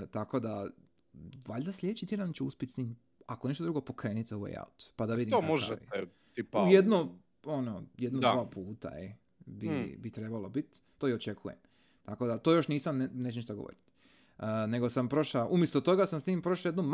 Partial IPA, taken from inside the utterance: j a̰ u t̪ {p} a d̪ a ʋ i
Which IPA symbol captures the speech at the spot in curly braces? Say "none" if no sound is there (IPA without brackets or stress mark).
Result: p